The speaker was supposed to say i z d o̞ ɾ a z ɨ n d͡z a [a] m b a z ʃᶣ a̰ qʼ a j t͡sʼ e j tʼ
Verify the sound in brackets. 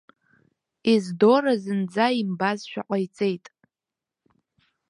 incorrect: i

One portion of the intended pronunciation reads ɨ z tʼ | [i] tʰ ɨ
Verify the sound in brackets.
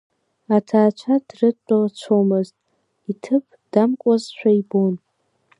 correct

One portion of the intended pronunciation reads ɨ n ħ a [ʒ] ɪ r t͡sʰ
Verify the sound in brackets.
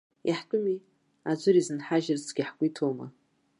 correct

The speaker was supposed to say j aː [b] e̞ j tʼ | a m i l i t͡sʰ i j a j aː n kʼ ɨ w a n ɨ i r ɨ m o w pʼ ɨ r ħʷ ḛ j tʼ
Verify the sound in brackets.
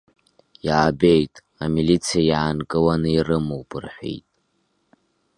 correct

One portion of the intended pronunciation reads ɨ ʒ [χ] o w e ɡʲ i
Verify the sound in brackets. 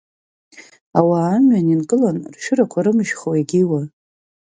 correct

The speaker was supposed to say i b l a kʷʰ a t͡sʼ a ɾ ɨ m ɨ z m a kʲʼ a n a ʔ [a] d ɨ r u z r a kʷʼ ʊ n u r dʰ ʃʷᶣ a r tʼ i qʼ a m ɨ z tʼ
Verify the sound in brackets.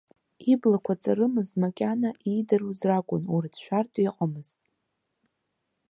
incorrect: i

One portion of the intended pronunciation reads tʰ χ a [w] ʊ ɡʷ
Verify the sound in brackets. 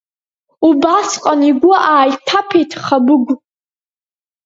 incorrect: b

